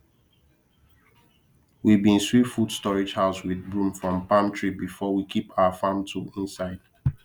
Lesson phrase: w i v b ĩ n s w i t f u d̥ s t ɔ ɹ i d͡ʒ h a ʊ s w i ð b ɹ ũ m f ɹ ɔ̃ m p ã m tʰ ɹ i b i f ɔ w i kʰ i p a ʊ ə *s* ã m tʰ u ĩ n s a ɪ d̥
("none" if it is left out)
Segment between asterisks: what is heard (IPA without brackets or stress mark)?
f